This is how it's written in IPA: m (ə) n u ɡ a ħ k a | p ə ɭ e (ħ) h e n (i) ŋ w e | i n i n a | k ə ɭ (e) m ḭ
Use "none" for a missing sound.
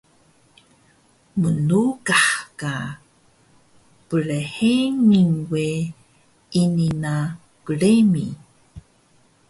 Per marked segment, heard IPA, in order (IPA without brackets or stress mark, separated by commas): ə, none, i, e